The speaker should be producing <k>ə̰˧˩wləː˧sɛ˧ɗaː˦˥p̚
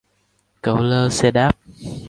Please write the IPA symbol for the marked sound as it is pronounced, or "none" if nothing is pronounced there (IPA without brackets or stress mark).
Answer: k